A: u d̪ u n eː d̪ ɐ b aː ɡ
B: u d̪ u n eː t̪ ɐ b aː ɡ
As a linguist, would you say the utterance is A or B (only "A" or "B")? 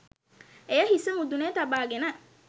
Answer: B